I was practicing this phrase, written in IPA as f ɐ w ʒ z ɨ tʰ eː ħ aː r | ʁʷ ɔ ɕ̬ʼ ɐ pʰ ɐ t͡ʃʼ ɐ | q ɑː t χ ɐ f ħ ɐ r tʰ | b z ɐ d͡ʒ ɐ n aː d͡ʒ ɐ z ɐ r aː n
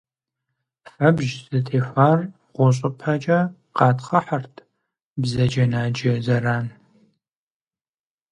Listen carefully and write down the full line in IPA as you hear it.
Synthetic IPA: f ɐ b ʒ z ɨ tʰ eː f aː r | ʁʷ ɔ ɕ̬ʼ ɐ pʰ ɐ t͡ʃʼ ɐ | q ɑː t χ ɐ ħ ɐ r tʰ | b z ɐ d͡ʒ ɐ n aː d͡ʒ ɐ z ɐ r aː n